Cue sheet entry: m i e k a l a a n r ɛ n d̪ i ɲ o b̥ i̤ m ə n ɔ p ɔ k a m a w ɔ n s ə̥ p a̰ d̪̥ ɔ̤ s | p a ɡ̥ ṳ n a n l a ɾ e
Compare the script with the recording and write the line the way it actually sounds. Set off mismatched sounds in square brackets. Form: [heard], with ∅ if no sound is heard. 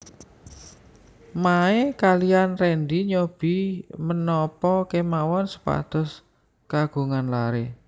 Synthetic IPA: m [a] e k a l [i] a n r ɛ n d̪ i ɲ o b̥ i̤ m ə n ɔ p ɔ k [e] m a w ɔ n s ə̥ p a̰ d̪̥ ɔ̤ s | [k] a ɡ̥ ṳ [ŋ] a n l a ɾ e